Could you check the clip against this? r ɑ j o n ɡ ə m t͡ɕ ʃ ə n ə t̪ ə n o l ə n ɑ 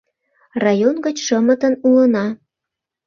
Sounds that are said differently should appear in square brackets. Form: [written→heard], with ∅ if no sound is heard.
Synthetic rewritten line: r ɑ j o n ɡ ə [m→∅] t͡ɕ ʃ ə [n→m] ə t̪ ə n [o→u] l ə n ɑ